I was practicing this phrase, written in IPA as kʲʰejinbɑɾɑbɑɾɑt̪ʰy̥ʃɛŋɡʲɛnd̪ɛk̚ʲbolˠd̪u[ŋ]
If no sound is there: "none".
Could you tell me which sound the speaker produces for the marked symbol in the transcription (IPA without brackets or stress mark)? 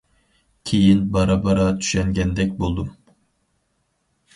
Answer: m